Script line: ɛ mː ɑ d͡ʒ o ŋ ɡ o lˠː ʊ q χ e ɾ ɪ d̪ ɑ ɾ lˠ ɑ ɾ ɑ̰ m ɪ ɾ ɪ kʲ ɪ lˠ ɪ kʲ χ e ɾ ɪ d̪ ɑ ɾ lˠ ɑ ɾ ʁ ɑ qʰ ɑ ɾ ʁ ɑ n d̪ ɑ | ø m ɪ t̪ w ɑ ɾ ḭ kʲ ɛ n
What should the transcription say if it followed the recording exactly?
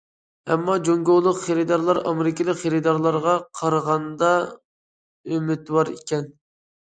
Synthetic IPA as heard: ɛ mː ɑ d͡ʒ o ŋ ɡ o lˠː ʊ q χ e ɾ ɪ d̪ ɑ ɾ lˠ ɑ ɾ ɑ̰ m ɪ ɾ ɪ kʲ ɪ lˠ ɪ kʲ χ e ɾ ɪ d̪ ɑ ɾ lˠ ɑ ɾ ʁ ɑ qʰ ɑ ɾ ʁ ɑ n d̪ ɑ | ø m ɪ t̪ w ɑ ɾ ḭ kʲ ɛ n